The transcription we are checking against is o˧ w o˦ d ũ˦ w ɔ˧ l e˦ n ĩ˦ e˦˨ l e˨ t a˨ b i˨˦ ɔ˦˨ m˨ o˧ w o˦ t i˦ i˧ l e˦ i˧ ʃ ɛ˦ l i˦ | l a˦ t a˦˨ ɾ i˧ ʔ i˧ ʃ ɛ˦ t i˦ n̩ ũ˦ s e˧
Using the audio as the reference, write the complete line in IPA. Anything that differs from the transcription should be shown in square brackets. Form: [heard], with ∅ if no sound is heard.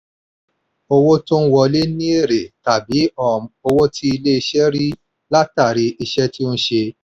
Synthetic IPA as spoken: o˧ w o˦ [t] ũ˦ w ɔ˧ l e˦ n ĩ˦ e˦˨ [ɾ] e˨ t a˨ b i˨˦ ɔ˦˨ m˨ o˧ w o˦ t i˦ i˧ l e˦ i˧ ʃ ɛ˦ [ɾ] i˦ | l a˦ t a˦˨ ɾ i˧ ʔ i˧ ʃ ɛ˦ t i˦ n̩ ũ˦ [ʃ] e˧

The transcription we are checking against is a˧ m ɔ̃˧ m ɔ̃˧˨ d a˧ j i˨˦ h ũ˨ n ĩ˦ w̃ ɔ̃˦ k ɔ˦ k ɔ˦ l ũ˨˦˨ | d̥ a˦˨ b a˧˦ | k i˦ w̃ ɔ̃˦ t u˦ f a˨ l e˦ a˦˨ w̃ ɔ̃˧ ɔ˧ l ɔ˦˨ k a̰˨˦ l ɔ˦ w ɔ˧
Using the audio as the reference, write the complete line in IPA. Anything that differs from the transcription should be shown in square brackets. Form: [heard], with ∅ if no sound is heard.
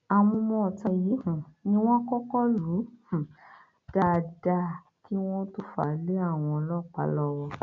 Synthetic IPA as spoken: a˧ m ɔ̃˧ m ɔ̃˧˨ [t] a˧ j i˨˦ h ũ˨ n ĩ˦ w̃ ɔ̃˦ k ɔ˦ k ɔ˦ l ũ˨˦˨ | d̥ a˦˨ [d] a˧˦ | k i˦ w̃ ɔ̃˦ t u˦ f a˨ l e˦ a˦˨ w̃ ɔ̃˧ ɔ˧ l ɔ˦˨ [k͡p] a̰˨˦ l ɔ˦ w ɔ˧

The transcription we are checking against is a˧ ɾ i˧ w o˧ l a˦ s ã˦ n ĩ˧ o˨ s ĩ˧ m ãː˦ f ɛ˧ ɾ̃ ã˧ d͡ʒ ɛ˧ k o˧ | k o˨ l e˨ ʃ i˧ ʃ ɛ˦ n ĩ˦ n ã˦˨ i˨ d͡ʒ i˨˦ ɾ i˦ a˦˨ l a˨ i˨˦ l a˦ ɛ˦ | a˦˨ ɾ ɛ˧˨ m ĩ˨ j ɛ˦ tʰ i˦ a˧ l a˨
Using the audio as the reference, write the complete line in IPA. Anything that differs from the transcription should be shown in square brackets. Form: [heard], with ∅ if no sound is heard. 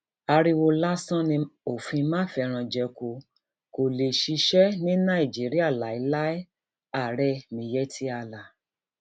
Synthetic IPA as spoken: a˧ ɾ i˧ w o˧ l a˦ s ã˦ n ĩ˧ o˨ [f] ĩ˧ m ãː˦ f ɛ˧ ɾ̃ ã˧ d͡ʒ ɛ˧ k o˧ | k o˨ l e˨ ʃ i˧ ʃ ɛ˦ n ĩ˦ n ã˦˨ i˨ d͡ʒ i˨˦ ɾ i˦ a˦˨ l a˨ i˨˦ l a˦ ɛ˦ | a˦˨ ɾ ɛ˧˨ m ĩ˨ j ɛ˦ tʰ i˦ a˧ l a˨

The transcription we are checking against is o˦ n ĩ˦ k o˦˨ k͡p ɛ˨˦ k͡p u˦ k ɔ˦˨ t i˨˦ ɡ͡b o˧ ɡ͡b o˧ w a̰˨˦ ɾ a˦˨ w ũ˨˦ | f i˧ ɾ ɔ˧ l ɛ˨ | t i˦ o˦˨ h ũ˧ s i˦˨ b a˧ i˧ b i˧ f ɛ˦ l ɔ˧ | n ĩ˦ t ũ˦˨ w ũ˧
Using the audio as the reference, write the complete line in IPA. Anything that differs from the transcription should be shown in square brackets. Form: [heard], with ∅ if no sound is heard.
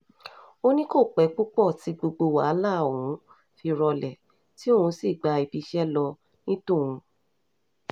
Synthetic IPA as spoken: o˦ n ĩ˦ k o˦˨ k͡p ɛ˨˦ k͡p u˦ [k͡p] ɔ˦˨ t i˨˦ ɡ͡b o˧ ɡ͡b o˧ w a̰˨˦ [l] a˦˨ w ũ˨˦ | f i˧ ɾ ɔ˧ l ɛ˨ | t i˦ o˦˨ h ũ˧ s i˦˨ [ɡ͡b] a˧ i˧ b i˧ [ʃ] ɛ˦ l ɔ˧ | n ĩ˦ t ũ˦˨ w ũ˧

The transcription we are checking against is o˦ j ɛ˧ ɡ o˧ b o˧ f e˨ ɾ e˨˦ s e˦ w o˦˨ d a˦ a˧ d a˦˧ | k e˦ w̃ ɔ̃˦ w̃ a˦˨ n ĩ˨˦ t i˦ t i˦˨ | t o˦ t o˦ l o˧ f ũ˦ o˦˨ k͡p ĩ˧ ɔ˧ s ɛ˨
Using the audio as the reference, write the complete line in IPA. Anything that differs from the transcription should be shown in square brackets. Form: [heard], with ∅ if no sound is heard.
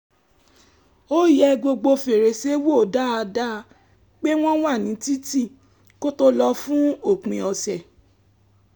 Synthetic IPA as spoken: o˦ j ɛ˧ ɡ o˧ [ɡ͡b] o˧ f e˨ ɾ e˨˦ s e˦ w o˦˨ d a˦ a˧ d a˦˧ | [k͡p] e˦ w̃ ɔ̃˦ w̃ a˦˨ n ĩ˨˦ t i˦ t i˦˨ | [k] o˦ t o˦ l [ɔ˧] f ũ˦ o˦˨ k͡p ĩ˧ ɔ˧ s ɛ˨

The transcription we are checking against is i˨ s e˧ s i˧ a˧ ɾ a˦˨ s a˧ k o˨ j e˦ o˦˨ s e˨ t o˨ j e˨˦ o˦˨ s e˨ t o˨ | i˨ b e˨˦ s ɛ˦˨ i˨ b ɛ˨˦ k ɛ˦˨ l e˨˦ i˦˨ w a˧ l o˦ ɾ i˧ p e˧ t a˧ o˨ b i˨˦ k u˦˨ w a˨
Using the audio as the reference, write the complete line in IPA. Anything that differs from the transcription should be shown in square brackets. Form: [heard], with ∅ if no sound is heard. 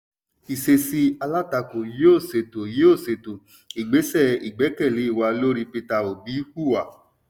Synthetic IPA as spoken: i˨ s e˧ s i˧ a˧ [l] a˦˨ [t] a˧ k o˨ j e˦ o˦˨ s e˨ t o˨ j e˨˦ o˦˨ s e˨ t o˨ | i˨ [ɡ͡b] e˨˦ s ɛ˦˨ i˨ [ɡ͡b] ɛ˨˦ k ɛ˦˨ l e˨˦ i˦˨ w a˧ l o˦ ɾ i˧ p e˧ t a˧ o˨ b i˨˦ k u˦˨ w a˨

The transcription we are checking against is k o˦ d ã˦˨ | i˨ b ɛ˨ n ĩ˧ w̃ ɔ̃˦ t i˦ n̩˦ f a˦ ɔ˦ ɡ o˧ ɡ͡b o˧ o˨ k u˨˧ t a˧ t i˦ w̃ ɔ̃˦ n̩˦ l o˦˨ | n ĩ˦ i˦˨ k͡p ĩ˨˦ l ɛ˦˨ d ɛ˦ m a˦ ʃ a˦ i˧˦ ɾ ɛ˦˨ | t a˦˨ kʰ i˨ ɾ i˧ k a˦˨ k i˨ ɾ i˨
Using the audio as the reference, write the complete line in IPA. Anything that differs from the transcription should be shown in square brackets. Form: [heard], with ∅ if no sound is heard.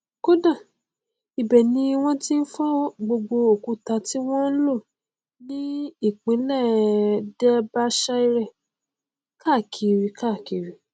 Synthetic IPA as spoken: k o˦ d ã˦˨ | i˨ b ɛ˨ n ĩ˧ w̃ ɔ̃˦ t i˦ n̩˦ f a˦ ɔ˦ [ɡ͡b] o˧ ɡ͡b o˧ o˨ k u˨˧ t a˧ t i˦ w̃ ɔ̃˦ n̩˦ l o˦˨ | n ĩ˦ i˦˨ k͡p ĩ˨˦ l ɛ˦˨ d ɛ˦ [b] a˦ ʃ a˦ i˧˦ ɾ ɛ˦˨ | [k] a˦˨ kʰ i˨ ɾ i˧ k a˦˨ k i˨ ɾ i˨

